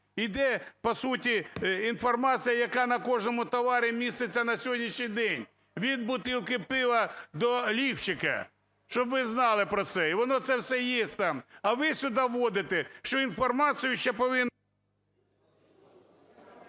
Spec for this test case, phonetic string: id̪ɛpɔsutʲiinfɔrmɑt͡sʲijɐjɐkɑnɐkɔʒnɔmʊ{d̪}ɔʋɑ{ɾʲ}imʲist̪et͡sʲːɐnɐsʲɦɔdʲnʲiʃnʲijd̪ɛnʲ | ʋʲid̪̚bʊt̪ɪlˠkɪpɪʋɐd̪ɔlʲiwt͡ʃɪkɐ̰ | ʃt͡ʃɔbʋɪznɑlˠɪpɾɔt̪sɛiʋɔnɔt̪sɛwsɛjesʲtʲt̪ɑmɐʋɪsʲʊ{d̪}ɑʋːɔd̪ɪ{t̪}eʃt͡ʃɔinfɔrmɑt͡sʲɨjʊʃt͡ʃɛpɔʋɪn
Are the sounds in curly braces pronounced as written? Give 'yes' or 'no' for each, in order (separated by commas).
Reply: no, yes, yes, yes